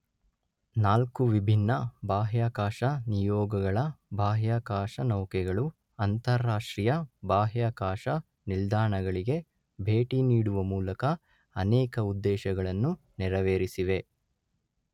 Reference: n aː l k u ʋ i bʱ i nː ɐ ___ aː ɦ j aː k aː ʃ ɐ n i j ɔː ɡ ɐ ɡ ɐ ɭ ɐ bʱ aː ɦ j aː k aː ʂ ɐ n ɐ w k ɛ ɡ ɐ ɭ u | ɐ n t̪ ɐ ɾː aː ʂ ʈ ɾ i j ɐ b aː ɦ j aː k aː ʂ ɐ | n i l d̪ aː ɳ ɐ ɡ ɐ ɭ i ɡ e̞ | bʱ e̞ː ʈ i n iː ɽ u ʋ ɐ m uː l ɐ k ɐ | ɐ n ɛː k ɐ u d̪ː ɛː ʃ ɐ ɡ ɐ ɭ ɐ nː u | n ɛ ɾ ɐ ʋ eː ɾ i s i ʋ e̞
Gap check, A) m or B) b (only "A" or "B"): B